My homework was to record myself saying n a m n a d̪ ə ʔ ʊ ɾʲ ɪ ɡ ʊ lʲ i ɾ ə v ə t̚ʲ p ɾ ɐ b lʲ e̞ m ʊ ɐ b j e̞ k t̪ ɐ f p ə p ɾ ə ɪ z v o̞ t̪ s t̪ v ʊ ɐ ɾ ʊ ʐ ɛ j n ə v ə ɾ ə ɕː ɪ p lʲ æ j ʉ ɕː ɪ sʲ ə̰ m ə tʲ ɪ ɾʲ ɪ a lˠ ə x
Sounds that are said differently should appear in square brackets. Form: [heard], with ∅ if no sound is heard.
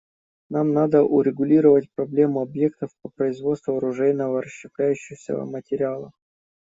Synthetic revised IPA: n a m n a d̪ ə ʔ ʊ ɾʲ ɪ ɡ ʊ lʲ i ɾ ə v ə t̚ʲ p ɾ ɐ b lʲ e̞ m ʊ ɐ b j e̞ k t̪ [ə] f p ə p ɾ ə ɪ z v o̞ t̪ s t̪ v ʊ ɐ ɾ ʊ ʐ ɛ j n ə v ə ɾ ə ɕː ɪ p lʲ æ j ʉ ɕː ɪ sʲ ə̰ m ə tʲ ɪ ɾʲ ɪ a lˠ ə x

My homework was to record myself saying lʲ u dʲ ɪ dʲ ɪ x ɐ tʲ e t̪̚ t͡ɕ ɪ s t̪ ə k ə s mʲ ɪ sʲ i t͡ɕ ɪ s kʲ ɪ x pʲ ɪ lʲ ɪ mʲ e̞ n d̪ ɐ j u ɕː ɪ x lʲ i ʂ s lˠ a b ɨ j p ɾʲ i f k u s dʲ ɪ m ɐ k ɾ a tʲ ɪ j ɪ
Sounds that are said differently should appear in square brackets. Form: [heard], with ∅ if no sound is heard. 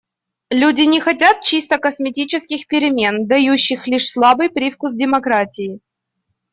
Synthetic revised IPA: lʲ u dʲ ɪ [nʲ] ɪ x ɐ tʲ [a] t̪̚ t͡ɕ [i] s t̪ ə k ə s mʲ ɪ [tʲ] i t͡ɕ ɪ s kʲ ɪ x pʲ ɪ [ɾʲ] ɪ mʲ e̞ n d̪ ɐ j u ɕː ɪ x lʲ i ʂ s lˠ a b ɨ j p ɾʲ i f k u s dʲ ɪ m ɐ k ɾ a tʲ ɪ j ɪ

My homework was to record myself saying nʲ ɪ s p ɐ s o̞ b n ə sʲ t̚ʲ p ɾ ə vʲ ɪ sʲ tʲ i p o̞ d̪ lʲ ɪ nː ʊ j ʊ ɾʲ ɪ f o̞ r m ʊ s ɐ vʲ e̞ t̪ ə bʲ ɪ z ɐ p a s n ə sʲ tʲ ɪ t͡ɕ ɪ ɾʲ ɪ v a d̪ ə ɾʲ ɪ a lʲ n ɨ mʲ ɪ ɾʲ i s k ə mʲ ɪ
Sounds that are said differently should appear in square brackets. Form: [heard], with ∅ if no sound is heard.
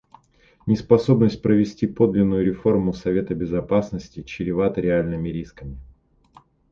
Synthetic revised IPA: nʲ ɪ s p ɐ s o̞ b n ə sʲ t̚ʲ p ɾ ə vʲ ɪ sʲ tʲ i p o̞ d̪ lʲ ɪ nː ʊ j ʊ ɾʲ ɪ f o̞ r m ʊ s ɐ vʲ e̞ t̪ ə bʲ ɪ z ɐ p a s n ə sʲ tʲ ɪ t͡ɕ ɪ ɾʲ ɪ v a [t̪] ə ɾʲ ɪ a lʲ n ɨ mʲ ɪ ɾʲ i s k ə mʲ ɪ

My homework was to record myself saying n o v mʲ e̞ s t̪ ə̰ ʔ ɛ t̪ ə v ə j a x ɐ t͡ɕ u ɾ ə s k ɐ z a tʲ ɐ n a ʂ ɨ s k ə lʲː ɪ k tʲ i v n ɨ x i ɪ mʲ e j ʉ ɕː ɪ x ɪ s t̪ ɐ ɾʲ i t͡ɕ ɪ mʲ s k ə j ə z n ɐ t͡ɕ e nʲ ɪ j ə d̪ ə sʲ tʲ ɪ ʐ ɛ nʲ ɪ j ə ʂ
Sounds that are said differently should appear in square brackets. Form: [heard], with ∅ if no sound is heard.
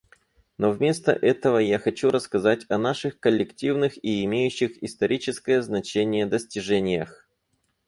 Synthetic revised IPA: n o v mʲ e̞ s t̪ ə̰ ʔ ɛ t̪ ə v ə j a x ɐ t͡ɕ u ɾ ə s k ɐ z a tʲ ɐ n a ʂ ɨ [x] k ə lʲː ɪ k tʲ i v n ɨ x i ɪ mʲ e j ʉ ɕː ɪ x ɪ s t̪ ɐ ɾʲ i t͡ɕ ɪ [∅] s k ə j ə z n ɐ t͡ɕ e nʲ ɪ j ə d̪ ə sʲ tʲ ɪ ʐ ɛ nʲ ɪ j ə [x]

